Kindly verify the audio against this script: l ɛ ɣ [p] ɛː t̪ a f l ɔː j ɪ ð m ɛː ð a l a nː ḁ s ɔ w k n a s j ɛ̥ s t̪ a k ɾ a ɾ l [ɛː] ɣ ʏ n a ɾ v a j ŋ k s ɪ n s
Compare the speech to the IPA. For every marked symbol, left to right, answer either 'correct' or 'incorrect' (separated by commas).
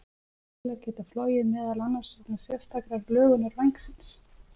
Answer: incorrect, incorrect